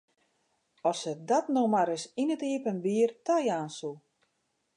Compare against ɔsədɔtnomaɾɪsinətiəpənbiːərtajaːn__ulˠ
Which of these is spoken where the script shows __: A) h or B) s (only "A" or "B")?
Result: B